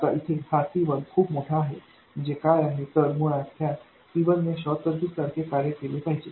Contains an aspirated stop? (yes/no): yes